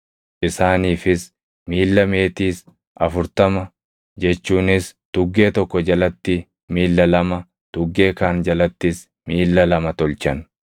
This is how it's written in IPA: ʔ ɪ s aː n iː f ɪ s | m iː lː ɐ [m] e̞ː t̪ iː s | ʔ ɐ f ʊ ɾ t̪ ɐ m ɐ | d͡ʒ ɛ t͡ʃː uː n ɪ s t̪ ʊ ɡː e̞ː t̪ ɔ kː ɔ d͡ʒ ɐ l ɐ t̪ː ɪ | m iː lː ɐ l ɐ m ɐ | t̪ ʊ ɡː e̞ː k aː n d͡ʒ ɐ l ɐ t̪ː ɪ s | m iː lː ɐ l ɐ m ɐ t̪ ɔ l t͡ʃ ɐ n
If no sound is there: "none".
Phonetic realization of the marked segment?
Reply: m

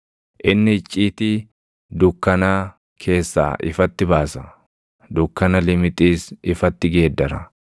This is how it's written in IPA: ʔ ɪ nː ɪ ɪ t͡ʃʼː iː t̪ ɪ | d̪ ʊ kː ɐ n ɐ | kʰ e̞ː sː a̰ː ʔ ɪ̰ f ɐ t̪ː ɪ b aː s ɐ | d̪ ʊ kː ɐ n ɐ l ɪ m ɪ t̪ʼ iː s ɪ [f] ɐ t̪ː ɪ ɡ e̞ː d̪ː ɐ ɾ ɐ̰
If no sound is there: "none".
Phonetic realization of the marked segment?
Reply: f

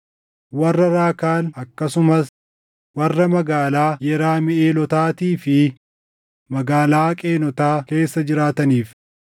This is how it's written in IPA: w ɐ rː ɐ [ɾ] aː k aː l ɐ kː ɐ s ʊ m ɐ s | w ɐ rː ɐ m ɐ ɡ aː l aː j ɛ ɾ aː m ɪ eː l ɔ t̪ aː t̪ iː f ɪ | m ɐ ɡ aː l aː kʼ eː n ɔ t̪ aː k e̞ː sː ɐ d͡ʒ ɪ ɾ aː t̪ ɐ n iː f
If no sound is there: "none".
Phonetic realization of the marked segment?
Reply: ɾ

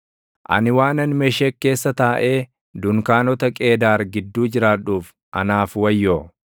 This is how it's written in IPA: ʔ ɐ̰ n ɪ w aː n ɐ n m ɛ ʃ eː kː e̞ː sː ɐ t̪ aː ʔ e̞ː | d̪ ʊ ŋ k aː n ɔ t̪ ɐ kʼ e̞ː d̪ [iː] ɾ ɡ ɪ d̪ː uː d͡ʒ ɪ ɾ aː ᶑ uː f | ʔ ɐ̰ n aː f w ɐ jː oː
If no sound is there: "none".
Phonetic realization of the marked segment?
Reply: aː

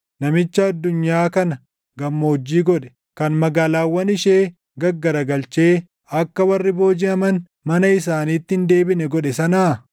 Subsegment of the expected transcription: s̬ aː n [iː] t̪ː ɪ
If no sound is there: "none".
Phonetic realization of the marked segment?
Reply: iː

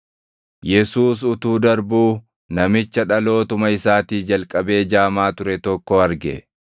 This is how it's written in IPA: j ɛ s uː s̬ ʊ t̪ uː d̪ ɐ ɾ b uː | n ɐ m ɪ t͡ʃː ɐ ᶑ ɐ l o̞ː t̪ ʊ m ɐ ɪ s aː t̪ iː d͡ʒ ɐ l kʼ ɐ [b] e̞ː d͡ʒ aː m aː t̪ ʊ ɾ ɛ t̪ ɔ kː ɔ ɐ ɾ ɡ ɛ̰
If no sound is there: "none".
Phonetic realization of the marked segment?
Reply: b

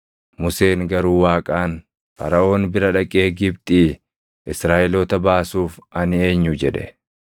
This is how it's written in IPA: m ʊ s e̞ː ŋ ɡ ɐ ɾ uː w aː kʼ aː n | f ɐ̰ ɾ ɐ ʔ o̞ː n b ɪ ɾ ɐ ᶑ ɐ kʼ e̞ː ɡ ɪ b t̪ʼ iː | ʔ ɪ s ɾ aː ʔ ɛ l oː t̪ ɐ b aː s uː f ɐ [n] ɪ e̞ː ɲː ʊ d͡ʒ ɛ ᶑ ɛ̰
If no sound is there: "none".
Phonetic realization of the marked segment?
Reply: n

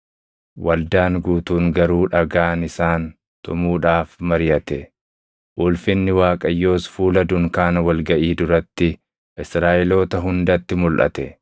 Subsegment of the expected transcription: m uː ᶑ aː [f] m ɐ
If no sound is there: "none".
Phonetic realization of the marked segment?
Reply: f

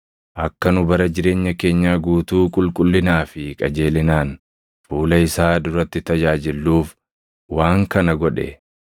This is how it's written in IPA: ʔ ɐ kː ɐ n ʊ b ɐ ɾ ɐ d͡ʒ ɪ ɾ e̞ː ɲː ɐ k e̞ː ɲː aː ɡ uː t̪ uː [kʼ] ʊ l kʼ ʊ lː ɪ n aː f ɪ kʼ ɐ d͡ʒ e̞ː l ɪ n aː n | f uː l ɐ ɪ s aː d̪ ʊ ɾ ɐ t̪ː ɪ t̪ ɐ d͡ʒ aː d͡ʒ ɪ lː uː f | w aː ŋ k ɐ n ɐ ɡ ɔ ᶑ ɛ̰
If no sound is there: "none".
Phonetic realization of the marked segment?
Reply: kʼ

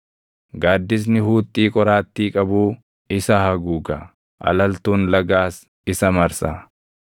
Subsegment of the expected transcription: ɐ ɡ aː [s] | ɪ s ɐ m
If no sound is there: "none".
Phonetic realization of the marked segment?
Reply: s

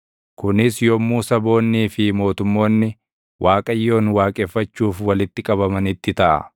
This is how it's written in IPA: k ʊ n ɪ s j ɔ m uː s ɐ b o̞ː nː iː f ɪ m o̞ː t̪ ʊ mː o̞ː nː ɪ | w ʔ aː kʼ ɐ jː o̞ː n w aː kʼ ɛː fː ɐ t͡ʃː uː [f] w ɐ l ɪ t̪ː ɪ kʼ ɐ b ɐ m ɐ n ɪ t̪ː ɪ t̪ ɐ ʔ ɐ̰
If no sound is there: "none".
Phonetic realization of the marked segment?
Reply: f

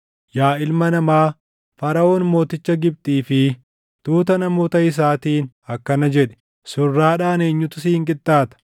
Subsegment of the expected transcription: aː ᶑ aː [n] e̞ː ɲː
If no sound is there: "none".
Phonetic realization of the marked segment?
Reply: n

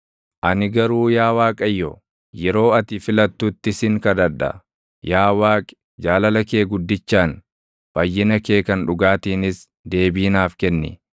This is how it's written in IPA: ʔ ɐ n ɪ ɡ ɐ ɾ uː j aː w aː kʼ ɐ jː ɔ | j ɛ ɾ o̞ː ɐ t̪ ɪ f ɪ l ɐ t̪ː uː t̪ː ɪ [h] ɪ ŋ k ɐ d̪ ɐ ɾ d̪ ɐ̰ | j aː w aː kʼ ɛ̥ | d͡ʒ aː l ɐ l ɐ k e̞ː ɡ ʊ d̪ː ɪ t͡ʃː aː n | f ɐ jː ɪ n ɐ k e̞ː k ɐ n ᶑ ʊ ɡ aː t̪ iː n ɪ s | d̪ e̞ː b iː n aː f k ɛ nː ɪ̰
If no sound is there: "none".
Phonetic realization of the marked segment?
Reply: s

